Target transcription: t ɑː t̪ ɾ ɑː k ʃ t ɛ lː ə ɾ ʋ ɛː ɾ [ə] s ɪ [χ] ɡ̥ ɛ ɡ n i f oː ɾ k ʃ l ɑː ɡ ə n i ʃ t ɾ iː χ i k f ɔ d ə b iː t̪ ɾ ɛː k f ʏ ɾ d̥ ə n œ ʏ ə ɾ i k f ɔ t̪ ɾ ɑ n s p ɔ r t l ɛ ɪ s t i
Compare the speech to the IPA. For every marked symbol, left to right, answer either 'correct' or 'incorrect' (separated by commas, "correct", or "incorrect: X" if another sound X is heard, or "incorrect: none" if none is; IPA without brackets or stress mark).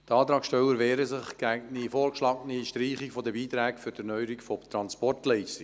correct, correct